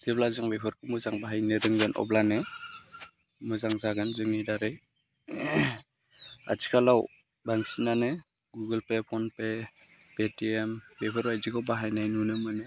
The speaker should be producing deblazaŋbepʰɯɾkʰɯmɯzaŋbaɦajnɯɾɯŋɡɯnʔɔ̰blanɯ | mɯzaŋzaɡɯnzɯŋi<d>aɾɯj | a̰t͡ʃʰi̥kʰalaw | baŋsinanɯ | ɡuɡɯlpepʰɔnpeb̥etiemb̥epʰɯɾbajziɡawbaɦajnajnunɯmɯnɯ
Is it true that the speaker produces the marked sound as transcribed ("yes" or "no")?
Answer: yes